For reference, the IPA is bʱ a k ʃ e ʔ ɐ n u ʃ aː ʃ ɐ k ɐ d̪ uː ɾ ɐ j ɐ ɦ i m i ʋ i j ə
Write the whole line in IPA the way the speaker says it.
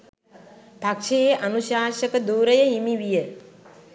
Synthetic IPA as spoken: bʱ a k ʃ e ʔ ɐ n u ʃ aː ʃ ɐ k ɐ d̪ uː ɾ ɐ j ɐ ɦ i m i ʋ i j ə

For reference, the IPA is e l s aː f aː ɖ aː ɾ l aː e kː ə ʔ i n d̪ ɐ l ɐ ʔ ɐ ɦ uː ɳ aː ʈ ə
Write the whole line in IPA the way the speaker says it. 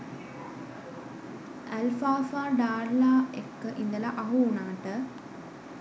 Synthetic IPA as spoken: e l f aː f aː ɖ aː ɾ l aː e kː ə ʔ i n d̪ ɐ l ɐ ʔ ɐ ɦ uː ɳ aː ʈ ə

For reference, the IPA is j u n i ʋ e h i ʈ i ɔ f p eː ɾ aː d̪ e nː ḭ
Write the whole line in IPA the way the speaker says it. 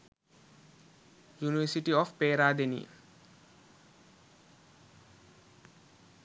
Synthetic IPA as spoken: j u n i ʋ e s i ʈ i ɔ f p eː ɾ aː d̪ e n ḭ

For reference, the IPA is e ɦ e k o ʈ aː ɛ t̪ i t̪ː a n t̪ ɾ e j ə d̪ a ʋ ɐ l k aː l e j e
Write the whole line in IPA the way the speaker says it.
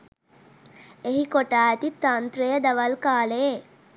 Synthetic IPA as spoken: e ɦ i k o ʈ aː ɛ t̪ i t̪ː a n t̪ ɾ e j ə d̪ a ʋ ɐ l k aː l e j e

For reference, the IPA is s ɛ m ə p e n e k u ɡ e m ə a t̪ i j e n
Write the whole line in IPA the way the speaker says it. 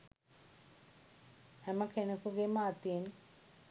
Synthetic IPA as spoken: h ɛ m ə k e n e k u ɡ e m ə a t̪ i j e n

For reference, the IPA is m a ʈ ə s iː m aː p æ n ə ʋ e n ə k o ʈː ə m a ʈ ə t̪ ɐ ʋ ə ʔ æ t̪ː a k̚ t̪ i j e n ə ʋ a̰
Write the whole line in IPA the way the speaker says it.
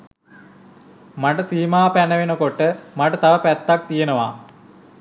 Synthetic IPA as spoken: m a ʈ ə s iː m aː p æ n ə ʋ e n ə k o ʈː ə m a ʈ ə t̪ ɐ ʋ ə p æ t̪ː a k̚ t̪ i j e n ə ʋ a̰

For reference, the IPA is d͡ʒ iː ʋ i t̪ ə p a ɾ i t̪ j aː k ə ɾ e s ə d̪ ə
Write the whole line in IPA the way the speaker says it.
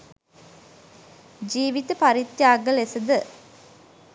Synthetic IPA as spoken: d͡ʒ iː ʋ i t̪ ə p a ɾ i t̪ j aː ɡ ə l e s ə d̪ ə

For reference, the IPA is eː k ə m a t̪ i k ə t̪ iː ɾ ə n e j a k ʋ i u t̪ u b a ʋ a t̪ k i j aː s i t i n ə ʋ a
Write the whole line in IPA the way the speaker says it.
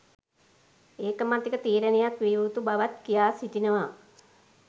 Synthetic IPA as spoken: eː k ə m a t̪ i k ə t̪ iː ɾ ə n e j a k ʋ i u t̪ u b a ʋ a t̪ k i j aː s i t i n ə ʋ a

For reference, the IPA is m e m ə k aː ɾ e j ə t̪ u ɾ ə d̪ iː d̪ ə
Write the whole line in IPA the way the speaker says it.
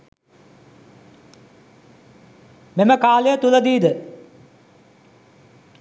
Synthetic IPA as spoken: m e m ə k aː l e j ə t̪ u l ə d̪ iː d̪ ə

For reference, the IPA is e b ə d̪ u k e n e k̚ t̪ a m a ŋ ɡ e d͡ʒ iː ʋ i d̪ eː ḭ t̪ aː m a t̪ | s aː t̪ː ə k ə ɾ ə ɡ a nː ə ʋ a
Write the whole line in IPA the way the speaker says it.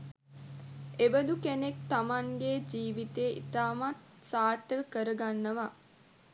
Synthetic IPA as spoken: e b ə d̪ u k e n e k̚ t̪ a m a ŋ ɡ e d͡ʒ iː ʋ i t̪ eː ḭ t̪ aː m a t̪ | s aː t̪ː ə k ə ɾ ə ɡ a nː ə ʋ a

